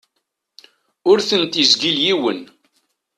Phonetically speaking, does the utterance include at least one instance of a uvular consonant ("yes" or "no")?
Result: no